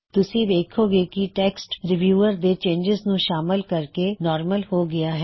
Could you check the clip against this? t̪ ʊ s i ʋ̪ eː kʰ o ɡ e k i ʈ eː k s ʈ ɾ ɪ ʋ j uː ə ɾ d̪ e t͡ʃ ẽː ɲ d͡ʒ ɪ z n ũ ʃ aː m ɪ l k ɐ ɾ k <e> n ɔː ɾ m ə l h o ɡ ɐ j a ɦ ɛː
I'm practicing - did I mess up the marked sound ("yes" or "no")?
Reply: no